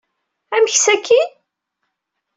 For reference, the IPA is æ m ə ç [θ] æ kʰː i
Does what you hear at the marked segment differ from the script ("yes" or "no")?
yes